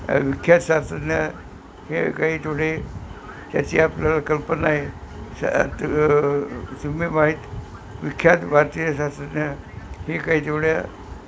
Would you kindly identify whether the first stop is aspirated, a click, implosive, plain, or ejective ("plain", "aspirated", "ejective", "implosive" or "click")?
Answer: aspirated